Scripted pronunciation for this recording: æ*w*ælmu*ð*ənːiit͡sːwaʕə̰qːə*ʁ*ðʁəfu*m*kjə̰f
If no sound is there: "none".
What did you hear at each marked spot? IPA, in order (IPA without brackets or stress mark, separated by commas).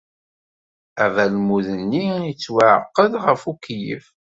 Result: v, ð, none, none